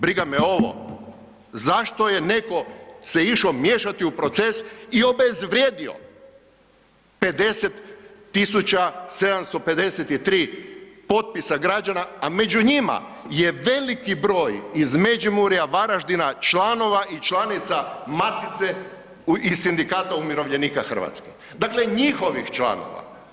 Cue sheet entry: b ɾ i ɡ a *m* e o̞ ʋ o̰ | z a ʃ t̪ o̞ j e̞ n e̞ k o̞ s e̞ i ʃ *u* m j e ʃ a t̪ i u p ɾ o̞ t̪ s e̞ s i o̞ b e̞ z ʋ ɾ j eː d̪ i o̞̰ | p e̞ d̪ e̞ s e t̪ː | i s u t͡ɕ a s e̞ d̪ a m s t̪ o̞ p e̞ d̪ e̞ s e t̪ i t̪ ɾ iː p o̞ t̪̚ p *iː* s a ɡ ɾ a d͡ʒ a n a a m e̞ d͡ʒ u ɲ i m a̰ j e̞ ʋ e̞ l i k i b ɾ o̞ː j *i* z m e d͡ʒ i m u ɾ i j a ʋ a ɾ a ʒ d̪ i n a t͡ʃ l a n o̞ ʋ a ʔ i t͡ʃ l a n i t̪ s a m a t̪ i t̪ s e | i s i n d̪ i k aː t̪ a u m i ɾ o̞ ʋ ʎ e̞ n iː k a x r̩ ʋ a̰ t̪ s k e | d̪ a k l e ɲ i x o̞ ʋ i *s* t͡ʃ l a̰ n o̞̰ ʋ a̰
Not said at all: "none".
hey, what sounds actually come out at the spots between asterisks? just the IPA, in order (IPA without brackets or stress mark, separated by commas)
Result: m, o, i, i, x